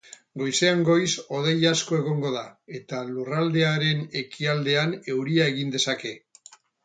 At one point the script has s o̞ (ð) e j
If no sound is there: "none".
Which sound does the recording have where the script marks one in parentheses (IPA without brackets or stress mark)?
ð